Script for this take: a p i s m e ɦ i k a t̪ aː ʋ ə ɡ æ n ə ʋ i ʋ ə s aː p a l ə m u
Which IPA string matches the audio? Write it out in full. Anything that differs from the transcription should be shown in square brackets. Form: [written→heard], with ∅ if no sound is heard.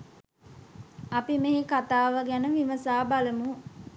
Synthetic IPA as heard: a p i [s→∅] m e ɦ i k a t̪ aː ʋ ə ɡ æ n ə ʋ i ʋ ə s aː [p→b] a l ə m u